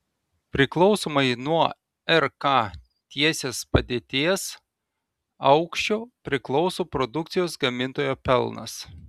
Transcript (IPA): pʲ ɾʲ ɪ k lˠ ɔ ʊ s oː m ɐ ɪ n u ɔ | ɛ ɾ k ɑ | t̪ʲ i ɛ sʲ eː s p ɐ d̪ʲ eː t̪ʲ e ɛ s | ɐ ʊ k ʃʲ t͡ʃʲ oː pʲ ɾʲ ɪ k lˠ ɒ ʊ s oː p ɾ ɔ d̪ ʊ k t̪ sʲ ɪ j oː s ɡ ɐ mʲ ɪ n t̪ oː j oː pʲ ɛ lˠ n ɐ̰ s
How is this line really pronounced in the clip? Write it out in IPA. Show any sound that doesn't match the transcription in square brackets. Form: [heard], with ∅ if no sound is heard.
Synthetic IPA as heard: pʲ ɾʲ ɪ k lˠ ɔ ʊ s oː m ɐ ɪ n u ɔ | ɛ ɾ k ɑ | t̪ʲ i ɛ sʲ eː s p ɐ d̪ʲ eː t̪ʲ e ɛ s | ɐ ʊ k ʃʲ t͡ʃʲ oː pʲ ɾʲ ɪ k lˠ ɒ ʊ s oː p ɾ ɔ d̪ ʊ k t̪ sʲ ɪ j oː s ɡ ɐ mʲ ɪ n t̪ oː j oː pʲ ɛ lˠ n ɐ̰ s